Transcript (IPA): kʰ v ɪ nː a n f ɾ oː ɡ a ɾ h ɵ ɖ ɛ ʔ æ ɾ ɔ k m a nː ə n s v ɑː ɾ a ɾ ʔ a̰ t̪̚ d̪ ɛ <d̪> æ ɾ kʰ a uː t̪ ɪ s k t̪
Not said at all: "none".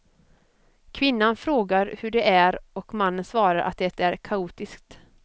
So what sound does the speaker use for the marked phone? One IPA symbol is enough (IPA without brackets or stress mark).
t̪